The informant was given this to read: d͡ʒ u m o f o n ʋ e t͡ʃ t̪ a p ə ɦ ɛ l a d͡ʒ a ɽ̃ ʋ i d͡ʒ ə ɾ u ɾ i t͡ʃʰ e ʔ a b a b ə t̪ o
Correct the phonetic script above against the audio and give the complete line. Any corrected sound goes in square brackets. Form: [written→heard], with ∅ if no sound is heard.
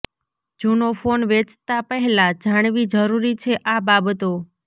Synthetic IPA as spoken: d͡ʒ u [m→n] o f o n ʋ e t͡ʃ t̪ a p ə ɦ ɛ l a d͡ʒ a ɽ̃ ʋ i d͡ʒ ə ɾ u ɾ i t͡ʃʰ e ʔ a b a b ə t̪ o